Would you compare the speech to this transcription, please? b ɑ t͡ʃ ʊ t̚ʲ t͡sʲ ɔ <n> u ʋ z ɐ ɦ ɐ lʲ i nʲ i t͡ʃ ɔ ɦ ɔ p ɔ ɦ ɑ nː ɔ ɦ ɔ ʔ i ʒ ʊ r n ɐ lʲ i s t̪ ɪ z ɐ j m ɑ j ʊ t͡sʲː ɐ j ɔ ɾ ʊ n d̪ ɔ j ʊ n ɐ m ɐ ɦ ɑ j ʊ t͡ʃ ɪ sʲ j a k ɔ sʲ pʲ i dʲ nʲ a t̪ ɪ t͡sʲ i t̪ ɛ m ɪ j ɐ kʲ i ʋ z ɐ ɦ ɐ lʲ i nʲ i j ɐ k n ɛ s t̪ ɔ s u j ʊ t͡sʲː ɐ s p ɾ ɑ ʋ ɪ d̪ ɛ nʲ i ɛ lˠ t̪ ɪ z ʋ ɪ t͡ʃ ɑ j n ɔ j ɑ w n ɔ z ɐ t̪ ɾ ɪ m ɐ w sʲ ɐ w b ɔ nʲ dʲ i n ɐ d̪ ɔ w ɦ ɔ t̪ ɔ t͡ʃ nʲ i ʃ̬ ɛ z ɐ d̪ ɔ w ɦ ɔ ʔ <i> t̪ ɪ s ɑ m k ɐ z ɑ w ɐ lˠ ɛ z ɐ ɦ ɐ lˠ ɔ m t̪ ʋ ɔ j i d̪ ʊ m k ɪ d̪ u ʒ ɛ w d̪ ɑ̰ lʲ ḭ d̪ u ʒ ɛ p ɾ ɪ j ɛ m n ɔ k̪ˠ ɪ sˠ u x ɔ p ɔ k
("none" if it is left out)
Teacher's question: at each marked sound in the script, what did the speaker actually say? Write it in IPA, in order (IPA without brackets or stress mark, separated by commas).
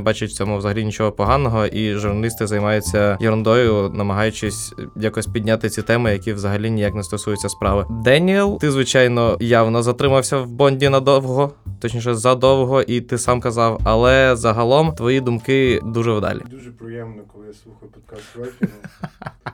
m, i